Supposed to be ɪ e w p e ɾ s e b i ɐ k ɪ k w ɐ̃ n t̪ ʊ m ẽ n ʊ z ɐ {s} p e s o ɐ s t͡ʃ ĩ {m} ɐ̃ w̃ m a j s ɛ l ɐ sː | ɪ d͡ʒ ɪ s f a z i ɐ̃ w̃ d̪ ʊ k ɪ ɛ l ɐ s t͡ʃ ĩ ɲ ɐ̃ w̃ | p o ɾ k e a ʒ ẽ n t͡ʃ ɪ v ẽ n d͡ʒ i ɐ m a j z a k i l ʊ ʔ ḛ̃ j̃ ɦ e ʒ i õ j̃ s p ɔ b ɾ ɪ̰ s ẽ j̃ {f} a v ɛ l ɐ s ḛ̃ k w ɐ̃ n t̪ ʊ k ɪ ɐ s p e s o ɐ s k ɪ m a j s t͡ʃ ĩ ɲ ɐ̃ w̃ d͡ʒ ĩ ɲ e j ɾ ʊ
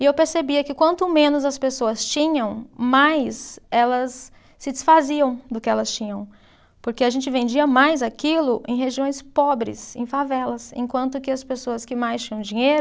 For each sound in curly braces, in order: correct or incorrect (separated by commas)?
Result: correct, incorrect, correct